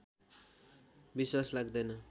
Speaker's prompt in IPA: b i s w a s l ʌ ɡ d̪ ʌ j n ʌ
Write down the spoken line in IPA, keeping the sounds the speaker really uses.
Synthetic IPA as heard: b i s w a s l a ɡ d̪ ʌ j n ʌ